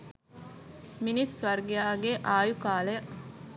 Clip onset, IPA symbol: m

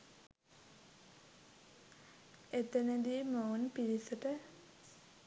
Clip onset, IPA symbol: e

